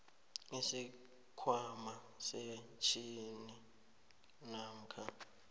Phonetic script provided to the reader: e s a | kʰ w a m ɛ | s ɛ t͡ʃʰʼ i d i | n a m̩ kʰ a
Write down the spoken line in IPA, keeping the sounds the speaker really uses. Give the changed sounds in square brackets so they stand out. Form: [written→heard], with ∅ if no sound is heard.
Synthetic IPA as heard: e s [a→i] | kʰ w a m [ɛ→a] | s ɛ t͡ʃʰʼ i [d→n] i | n a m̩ kʰ a